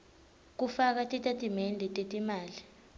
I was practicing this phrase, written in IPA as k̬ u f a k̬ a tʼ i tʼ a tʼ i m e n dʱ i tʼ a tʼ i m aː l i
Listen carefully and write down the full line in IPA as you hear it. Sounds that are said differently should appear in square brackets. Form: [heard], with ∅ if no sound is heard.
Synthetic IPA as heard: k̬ u f a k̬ a tʼ i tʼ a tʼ i m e n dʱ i tʼ [e] tʼ i m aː l i